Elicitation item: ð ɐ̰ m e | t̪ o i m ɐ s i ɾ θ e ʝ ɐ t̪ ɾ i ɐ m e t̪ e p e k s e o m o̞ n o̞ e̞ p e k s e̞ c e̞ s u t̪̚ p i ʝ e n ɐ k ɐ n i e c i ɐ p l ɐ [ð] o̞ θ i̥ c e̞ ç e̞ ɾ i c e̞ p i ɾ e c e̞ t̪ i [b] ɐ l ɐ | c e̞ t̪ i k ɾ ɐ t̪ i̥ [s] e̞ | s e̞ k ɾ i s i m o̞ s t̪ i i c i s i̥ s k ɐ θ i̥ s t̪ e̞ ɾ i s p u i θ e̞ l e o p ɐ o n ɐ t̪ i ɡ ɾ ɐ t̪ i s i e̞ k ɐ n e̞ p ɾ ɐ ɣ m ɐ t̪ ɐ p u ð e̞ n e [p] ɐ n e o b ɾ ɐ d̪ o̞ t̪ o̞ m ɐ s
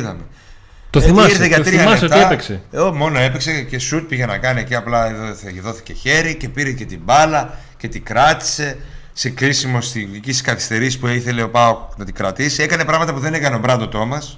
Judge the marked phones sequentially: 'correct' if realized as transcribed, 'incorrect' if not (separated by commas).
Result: correct, correct, correct, incorrect